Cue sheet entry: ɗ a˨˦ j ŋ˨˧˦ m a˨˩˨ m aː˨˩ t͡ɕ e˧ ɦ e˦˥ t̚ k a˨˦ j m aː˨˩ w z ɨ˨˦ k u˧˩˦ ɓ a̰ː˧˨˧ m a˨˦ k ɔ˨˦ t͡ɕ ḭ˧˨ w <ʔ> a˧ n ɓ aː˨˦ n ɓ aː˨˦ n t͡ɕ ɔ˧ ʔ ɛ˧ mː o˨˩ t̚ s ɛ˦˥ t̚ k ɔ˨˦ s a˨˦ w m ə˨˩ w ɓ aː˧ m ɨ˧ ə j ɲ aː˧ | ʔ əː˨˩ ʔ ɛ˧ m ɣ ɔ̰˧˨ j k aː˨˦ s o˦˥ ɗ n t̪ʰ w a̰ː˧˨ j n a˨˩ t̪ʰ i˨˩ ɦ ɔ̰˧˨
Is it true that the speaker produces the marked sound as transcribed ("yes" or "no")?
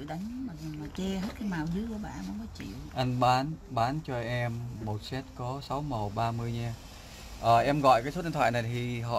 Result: yes